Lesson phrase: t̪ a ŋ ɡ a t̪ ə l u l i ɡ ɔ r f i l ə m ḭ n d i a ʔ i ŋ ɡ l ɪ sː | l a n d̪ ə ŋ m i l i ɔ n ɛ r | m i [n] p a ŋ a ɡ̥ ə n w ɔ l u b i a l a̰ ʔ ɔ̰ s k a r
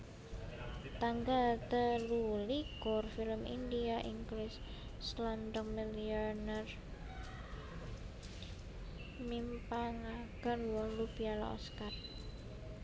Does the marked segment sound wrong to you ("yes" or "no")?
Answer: yes